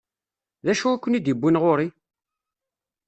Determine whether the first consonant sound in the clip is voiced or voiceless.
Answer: voiced